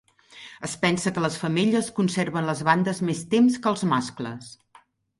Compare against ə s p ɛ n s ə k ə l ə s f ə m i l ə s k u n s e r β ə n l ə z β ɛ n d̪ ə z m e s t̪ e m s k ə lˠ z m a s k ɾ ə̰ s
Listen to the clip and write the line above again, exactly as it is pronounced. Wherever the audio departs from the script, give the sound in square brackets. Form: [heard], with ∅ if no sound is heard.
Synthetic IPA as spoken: ə s p ɛ n s ə k ə l ə s f ə m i [ʎ] ə s k u n s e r β ə n l ə z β [a] n d̪ ə z m e s t̪ e m s k ə lˠ z m a s k [l] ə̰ s